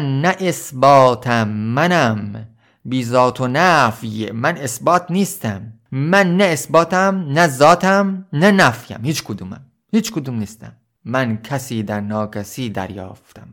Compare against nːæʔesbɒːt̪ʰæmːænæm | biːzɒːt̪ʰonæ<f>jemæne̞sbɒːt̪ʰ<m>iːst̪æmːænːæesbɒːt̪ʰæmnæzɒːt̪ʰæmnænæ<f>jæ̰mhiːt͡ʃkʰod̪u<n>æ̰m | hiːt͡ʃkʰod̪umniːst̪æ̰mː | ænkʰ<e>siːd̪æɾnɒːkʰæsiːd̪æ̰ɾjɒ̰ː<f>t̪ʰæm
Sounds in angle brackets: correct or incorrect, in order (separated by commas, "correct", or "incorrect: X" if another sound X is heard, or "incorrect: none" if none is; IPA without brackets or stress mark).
correct, incorrect: n, correct, incorrect: m, incorrect: æ, correct